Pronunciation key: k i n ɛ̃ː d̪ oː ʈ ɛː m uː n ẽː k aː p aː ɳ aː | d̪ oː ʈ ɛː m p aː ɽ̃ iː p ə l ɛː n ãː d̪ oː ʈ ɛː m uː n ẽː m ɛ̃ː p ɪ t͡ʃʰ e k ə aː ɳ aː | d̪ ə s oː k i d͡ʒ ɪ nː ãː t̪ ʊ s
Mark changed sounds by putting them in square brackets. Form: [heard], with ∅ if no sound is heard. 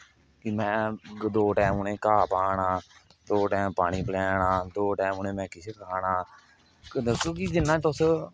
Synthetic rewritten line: k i [m] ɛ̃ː d̪ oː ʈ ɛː m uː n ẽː k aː p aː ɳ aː | d̪ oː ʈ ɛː m p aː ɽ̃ iː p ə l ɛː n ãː d̪ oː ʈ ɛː m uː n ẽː m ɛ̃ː [k] ɪ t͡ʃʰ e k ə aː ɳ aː | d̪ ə s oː k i d͡ʒ ɪ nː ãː t̪ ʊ s